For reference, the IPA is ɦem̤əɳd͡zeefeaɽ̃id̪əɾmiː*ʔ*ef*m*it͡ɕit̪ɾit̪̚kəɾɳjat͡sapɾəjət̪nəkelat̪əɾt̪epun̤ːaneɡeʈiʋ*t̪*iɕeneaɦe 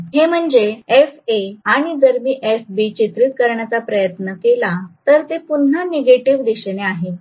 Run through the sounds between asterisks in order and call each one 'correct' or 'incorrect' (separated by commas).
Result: correct, incorrect, incorrect